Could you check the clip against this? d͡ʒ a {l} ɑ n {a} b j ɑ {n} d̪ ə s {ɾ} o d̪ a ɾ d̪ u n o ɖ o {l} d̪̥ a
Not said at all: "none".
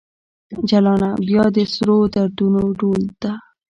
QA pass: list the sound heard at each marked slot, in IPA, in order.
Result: l, a, none, ɾ, l

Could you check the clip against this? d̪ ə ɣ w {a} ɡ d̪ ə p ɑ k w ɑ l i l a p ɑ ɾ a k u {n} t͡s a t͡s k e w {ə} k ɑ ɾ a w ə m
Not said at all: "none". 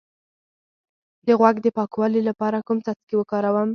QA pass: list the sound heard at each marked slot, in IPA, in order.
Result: a, m, ə

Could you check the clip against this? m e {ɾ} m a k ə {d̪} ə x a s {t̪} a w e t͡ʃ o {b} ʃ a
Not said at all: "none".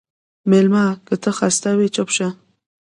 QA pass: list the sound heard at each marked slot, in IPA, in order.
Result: l, t̪, t̪, p

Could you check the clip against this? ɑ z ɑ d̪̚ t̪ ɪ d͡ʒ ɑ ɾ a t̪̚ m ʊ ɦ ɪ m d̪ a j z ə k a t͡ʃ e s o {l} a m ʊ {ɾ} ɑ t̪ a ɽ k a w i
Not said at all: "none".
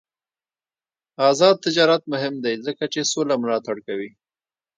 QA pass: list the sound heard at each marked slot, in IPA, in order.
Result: l, l

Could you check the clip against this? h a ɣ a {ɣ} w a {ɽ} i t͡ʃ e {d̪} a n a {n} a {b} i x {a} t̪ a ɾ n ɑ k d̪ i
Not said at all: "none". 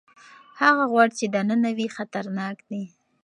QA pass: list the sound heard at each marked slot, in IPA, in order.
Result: ɣ, ɽ, d̪, n, w, a

